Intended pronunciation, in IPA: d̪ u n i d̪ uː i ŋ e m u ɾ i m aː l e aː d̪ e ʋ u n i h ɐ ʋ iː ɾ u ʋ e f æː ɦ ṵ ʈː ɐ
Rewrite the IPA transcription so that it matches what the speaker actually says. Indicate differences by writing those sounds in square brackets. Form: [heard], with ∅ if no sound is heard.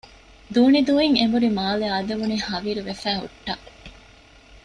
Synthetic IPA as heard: d̪ [uː] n i d̪ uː i ŋ e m u ɾ i m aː l e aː d̪ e ʋ u n i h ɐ ʋ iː ɾ u ʋ e f æː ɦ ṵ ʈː ɐ